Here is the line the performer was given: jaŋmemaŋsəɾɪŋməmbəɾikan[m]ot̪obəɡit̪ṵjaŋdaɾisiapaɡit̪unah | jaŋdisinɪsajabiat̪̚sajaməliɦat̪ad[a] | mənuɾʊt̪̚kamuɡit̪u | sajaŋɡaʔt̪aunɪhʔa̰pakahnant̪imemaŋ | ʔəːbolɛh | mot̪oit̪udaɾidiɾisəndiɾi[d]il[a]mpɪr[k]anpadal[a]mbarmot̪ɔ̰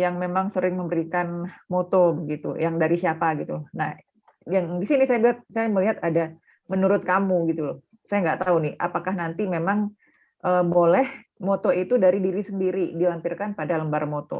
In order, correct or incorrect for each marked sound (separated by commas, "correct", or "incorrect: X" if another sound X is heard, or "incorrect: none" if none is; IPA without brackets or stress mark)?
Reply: correct, correct, correct, correct, correct, incorrect: ə